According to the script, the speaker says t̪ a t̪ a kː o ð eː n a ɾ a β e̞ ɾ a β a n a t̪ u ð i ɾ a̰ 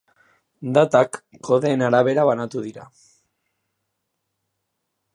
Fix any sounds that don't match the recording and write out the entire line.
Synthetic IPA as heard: d̪ a t̪ a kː o ð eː n a ɾ a β e̞ ɾ a β a n a t̪ u ð i ɾ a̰